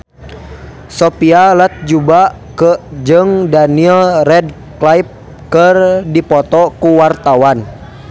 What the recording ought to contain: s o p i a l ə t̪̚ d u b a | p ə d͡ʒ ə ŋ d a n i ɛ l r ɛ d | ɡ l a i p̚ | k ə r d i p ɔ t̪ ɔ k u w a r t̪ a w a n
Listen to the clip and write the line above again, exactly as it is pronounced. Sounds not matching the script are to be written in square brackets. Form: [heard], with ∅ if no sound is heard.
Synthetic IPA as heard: s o p i a l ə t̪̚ [d͡ʒ] u b a | [k] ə d͡ʒ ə ŋ d a n i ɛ l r ɛ d | [k] l a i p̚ | k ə r d i p ɔ t̪ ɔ k u w a r t̪ a w a n